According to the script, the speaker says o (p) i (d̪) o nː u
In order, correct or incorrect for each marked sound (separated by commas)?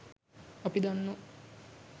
correct, correct